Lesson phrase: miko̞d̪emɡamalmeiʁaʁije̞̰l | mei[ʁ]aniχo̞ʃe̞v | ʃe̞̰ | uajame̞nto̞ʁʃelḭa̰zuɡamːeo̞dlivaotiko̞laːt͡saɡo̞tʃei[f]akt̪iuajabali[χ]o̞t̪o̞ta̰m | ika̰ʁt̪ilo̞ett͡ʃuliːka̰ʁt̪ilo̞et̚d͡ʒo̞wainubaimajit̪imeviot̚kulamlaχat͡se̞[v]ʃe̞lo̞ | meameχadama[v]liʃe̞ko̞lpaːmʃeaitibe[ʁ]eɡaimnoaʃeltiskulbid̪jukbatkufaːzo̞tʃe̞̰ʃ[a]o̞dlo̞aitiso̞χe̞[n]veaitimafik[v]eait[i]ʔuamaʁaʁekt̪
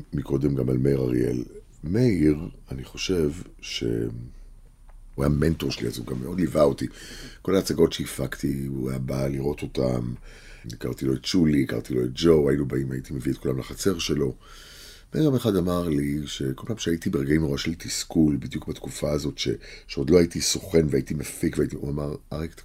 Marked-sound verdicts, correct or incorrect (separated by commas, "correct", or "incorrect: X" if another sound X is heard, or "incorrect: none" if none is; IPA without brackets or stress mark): correct, correct, incorrect: ʁ, incorrect: ʁ, incorrect: ʁ, correct, incorrect: e, correct, correct, correct